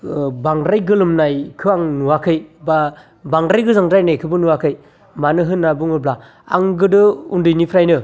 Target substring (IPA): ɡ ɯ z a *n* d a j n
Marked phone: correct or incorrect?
incorrect